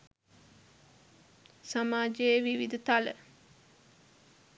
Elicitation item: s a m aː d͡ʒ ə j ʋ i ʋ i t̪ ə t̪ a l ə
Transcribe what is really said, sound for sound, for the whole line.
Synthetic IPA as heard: s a m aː d͡ʒ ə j ʋ i ʋ i d̪ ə t̪ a l ə